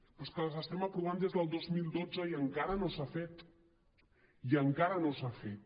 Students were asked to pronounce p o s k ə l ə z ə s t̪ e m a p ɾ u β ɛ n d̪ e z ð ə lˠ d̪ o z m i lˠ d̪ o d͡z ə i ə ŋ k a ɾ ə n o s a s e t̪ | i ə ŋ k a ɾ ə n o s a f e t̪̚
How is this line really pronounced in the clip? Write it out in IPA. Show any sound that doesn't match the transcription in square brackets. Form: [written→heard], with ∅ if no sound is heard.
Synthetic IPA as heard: p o s k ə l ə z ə s t̪ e m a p ɾ u β [ɛ→a] n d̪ e z ð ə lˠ d̪ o z m i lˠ d̪ o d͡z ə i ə ŋ k a ɾ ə n o s a [s→f] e t̪ | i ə ŋ k a ɾ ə n o s a f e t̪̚